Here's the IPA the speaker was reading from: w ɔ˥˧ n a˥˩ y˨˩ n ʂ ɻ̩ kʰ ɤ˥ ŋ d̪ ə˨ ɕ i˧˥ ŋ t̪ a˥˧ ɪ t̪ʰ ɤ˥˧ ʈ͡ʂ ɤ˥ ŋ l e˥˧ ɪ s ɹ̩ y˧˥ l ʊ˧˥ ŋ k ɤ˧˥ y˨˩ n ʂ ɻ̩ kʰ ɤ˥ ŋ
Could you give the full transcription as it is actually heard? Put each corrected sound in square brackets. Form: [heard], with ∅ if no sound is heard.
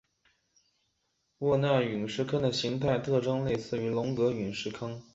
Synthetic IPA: w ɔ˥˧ n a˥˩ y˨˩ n ʂ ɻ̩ kʰ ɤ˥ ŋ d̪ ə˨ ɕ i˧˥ ŋ [t̪ʰ] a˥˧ ɪ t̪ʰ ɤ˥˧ ʈ͡ʂ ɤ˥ ŋ l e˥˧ ɪ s ɹ̩ y˧˥ l ʊ˧˥ ŋ k ɤ˧˥ y˨˩ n ʂ ɻ̩ kʰ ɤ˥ ŋ